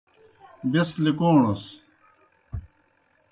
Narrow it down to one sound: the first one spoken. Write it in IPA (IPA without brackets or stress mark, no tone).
b